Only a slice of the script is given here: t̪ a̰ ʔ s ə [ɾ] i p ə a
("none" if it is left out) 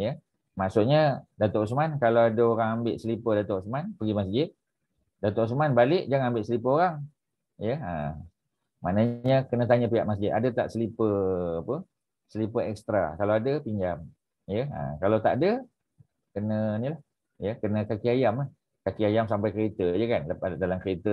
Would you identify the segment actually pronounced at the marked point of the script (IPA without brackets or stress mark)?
l